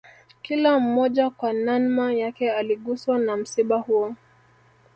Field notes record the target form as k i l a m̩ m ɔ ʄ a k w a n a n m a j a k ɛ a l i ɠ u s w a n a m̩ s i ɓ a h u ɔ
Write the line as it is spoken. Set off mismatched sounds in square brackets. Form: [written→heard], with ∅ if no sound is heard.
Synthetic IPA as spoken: k i l a m̩ m ɔ ʄ a k w a n a n m a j a k ɛ a l i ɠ u s w a n a m̩ s i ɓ a h u ɔ